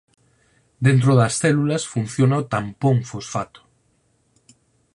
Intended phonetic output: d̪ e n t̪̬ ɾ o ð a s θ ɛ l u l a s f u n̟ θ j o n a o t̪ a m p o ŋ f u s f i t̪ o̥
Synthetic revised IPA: d̪ e n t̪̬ ɾ o ð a s θ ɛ l u l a s f u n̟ θ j o n a o t̪ a m p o ŋ f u s f a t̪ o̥